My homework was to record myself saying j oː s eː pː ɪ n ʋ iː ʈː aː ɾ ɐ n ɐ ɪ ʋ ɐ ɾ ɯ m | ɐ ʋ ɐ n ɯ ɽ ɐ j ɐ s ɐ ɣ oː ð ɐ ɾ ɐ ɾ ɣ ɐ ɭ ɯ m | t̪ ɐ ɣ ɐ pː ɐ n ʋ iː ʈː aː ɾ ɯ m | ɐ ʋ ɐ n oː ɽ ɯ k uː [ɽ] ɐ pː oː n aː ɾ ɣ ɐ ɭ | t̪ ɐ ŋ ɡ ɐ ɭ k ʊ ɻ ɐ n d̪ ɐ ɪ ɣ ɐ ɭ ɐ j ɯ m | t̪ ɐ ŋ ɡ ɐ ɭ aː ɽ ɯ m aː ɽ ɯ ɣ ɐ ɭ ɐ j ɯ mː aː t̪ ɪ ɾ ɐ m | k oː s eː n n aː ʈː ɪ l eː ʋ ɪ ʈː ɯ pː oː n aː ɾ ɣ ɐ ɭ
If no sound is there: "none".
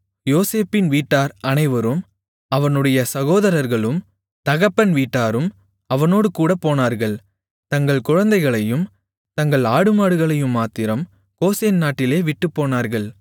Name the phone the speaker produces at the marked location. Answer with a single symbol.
ɽ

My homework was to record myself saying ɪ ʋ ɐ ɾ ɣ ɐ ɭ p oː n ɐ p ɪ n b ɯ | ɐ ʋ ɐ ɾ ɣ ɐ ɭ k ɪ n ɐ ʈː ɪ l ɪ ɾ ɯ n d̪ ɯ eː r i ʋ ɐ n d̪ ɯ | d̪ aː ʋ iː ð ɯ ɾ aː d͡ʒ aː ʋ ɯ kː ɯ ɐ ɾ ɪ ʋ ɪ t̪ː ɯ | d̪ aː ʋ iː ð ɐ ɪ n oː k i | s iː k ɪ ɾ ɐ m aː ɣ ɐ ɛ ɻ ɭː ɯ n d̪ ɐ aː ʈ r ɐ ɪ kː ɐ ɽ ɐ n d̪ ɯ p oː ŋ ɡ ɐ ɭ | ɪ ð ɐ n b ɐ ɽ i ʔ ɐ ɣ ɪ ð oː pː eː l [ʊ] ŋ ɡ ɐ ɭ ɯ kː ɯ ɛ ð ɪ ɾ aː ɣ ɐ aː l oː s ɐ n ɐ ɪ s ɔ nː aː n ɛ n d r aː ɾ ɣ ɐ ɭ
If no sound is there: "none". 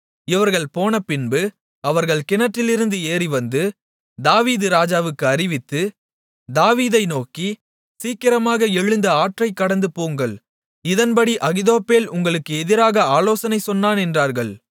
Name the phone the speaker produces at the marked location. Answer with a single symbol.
ʊ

